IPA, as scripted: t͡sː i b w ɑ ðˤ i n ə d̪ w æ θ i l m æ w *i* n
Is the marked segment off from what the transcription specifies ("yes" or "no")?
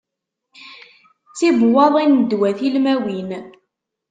no